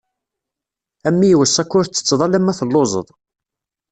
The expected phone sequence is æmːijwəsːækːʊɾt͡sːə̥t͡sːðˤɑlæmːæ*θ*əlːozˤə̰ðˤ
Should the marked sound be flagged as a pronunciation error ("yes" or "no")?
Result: no